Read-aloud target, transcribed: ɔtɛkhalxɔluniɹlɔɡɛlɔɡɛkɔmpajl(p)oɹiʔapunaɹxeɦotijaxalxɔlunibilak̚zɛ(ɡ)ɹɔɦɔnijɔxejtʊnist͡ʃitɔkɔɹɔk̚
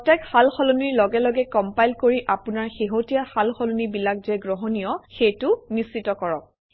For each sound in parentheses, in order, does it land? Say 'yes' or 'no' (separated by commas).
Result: no, yes